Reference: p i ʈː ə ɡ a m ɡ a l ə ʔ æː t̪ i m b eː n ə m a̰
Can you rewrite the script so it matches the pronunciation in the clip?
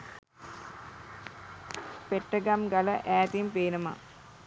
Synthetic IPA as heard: p e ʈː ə ɡ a m ɡ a l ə ʔ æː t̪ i m p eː n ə m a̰